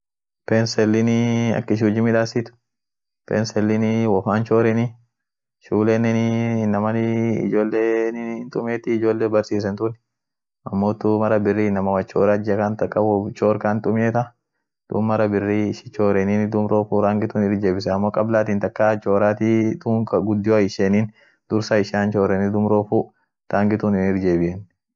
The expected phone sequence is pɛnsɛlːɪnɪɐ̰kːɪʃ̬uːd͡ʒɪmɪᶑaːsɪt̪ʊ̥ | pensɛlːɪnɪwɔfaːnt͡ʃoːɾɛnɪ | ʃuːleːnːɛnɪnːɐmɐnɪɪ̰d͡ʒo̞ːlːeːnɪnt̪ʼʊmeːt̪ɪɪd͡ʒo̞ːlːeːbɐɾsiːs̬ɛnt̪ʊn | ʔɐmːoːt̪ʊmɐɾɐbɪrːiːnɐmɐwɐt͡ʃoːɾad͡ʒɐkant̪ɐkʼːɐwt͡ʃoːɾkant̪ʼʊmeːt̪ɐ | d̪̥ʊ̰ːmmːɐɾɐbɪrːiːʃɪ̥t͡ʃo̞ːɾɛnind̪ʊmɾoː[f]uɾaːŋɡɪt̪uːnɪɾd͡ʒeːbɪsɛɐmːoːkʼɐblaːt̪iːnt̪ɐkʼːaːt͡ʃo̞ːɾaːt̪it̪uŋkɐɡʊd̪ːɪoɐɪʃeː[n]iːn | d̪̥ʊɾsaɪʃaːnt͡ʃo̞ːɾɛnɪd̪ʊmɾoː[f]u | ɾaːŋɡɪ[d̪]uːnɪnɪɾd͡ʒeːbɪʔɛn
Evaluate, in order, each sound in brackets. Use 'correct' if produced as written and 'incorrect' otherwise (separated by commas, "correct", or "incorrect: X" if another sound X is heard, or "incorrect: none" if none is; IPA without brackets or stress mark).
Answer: correct, correct, correct, incorrect: t̪